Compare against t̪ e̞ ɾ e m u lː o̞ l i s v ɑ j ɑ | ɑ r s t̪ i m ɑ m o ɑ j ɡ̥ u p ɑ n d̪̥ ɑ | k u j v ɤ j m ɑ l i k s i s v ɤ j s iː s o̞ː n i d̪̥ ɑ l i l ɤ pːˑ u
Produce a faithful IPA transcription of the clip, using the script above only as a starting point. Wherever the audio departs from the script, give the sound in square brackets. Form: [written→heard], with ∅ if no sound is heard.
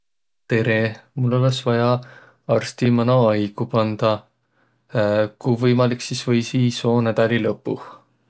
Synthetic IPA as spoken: t̪ e̞ ɾ e m u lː o̞ l [i→e] s v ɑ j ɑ | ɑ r s t̪ i m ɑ [m→n] o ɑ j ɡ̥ u p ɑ n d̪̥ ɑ | k u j v ɤ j m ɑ l i k s i s v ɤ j s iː s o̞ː n [i→æ] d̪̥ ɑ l i l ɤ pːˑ u